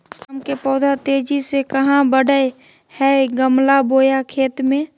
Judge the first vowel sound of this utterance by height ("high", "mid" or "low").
mid